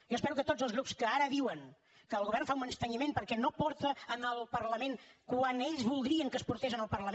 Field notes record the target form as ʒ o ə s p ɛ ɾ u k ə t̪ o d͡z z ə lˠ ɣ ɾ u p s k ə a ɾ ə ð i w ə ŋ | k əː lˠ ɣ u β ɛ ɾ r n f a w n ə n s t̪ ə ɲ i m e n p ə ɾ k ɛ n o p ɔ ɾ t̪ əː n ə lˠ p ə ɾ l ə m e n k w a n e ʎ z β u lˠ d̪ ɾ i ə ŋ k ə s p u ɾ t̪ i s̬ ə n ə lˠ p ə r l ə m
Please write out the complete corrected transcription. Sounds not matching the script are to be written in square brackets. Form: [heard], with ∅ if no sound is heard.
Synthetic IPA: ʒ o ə s p ɛ ɾ u k ə t̪ o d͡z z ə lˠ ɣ ɾ u p s k ə a ɾ ə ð i w ə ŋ | k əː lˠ ɣ u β ɛ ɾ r n f a [u] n ə n s t̪ ə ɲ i m e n p ə ɾ k ɛ n o p ɔ ɾ t̪ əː n ə lˠ p ə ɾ l ə m e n k w a n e ʎ z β u lˠ d̪ ɾ i ə ŋ k ə s p u ɾ t̪ [e] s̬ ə n ə lˠ p ə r l ə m